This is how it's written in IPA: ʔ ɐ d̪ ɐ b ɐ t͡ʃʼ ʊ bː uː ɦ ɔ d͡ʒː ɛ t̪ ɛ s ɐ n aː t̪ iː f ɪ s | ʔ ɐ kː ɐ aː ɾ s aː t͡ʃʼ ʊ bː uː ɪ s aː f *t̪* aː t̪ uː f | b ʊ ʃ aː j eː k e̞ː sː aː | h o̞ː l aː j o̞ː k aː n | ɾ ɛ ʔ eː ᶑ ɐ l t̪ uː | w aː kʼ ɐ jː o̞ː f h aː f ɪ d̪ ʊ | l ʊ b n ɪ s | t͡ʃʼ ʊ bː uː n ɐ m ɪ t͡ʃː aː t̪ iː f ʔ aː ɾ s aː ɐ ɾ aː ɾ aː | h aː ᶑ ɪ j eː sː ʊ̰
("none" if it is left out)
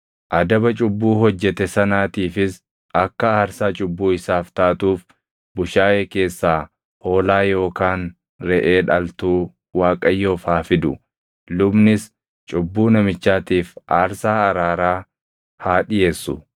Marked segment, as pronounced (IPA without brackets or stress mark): t̪